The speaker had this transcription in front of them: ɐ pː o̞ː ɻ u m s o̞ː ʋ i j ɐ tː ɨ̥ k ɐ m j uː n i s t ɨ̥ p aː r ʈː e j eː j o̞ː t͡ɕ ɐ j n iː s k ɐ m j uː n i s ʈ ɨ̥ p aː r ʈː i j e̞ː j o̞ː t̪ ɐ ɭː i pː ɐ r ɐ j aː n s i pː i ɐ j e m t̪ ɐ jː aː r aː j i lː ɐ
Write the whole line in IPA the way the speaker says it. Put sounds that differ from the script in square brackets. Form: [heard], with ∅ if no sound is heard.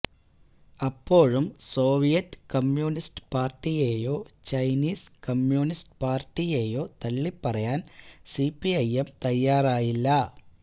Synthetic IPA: ɐ pː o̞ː ɻ u m s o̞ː ʋ i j ɐ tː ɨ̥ k ɐ m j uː n i s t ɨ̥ p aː r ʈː [i] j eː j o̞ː t͡ɕ ɐ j n iː s k ɐ m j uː n i s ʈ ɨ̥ p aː r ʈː i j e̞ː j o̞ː t̪ ɐ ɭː i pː ɐ r ɐ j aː n s i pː i ɐ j e m t̪ ɐ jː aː r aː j i lː ɐ